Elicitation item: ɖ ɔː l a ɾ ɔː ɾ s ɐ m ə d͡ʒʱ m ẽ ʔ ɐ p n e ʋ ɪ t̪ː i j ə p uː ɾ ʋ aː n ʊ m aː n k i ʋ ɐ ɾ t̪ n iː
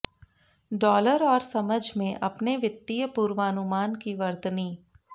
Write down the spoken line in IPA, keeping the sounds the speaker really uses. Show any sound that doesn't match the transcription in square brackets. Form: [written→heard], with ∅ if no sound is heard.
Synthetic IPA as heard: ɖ ɔː l [a→ə] ɾ ɔː ɾ s ɐ m ə d͡ʒʱ m ẽ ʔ ɐ p n e ʋ ɪ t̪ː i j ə p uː ɾ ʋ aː n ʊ m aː n k i ʋ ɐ ɾ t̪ n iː